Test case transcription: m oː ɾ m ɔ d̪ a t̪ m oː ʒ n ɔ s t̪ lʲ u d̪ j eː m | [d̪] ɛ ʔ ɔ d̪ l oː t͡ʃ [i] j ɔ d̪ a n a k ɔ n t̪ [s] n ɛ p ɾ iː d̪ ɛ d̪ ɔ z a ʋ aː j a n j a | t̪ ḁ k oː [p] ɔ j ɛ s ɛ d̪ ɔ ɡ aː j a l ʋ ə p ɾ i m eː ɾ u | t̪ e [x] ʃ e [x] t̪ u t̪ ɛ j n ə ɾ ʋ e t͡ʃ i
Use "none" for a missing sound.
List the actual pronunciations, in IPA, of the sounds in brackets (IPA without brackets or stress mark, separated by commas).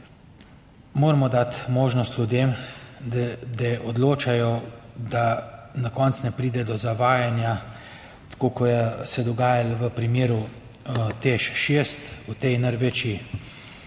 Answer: d̪, a, s, k, ʃ, s